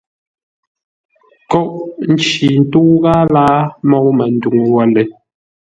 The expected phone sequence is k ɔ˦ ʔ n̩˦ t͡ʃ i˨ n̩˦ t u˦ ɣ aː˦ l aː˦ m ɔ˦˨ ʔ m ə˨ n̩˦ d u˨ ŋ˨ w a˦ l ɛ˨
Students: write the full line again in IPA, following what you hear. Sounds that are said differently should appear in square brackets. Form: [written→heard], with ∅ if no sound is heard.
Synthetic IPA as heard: k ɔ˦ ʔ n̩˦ t͡ʃ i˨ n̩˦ t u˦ ɣ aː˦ l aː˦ m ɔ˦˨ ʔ m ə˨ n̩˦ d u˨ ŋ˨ w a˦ l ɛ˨